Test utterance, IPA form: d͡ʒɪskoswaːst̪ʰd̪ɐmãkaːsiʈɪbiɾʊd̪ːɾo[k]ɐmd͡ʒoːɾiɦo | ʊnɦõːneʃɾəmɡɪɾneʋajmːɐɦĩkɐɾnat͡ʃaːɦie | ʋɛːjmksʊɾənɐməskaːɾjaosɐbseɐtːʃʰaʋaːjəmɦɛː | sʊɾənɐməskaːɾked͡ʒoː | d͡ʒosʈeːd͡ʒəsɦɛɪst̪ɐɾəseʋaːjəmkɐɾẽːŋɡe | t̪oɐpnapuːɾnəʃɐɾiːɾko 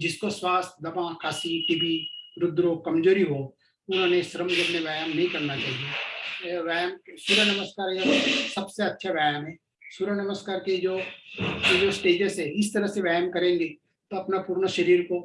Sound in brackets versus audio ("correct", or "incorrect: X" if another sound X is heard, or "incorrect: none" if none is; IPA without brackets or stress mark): correct